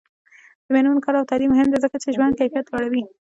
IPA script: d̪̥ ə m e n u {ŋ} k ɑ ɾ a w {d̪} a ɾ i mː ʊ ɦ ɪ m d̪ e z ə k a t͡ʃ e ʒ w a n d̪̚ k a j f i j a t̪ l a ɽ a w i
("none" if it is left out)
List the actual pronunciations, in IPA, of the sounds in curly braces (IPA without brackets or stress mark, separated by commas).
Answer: n, t̪